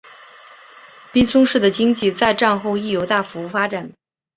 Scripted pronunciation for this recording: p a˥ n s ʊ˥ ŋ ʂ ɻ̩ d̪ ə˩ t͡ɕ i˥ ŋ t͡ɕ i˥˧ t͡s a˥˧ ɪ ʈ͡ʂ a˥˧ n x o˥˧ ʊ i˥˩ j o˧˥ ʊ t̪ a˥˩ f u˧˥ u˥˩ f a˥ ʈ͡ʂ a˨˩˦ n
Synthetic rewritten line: p i˥ n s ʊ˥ ŋ ʂ ɻ̩ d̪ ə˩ t͡ɕ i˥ ŋ t͡ɕ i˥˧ t͡s a˥˧ ɪ ʈ͡ʂ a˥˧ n x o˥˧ ʊ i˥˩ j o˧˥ ʊ t̪ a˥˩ f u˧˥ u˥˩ f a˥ ʈ͡ʂ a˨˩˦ n